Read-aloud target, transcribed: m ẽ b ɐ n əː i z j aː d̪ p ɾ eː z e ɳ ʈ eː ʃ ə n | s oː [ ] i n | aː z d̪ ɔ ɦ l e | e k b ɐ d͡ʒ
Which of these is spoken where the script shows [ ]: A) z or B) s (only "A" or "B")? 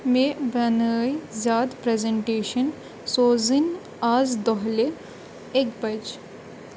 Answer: A